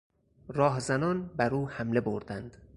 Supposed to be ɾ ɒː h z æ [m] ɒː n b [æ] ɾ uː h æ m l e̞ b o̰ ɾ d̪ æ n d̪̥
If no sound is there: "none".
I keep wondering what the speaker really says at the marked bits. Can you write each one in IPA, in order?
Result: n, æ

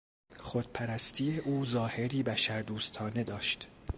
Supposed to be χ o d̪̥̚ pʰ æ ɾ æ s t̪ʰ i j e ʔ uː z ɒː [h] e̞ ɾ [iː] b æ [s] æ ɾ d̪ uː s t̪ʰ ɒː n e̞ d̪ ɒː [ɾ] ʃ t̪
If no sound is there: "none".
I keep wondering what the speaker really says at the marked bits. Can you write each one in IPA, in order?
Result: h, iː, ʃ, none

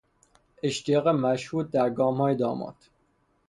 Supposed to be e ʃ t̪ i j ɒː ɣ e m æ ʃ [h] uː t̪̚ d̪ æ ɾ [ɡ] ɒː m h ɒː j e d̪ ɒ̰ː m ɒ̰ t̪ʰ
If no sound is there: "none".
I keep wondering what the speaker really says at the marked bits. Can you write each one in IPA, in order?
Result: h, ɡ

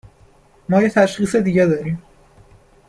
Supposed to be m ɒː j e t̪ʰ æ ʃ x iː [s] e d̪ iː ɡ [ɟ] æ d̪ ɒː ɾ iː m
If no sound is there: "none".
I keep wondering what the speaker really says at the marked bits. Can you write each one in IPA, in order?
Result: s, ɟ

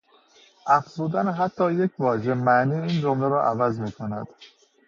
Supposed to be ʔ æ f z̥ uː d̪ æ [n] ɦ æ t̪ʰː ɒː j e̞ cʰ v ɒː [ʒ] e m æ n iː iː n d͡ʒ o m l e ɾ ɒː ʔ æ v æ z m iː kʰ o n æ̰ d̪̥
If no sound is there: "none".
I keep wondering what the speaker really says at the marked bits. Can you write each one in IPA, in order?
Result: n, ʒ

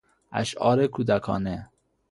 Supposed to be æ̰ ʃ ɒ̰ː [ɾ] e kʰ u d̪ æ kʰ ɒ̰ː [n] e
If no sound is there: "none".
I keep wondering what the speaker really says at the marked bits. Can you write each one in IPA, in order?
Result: ɾ, n

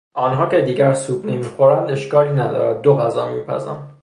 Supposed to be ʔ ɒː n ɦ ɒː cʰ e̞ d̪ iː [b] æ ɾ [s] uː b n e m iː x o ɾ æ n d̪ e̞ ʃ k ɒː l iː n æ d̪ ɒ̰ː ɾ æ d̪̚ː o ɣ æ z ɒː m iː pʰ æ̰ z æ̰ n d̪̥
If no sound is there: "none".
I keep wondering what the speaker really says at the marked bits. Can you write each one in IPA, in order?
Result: ɟ, s

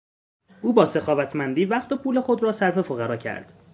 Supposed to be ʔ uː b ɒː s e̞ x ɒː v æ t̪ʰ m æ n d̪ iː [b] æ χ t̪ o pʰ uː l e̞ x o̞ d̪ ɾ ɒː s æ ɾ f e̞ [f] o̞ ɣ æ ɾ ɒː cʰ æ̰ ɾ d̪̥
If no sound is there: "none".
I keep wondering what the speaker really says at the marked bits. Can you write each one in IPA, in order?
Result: v, f

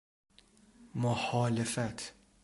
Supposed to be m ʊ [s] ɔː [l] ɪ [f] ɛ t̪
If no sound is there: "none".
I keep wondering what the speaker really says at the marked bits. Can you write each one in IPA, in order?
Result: ħ, l, f

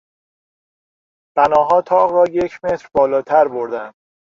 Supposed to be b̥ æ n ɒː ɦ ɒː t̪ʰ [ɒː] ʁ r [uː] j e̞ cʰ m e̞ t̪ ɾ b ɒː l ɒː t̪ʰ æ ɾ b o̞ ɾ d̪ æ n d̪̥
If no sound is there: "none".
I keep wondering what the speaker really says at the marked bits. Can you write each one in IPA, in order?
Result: ɒː, ɒː

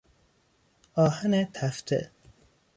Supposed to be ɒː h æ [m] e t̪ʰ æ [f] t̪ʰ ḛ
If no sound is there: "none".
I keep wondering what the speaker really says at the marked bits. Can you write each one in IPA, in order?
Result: n, f

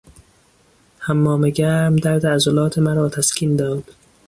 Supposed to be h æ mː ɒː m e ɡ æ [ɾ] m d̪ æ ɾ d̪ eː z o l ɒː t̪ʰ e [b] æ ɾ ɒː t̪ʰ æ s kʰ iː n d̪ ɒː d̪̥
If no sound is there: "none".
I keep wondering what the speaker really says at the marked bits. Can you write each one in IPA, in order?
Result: ɾ, m

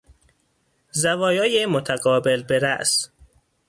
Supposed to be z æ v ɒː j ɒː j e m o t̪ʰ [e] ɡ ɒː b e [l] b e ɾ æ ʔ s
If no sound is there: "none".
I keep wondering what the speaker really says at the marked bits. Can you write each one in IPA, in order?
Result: æ, l

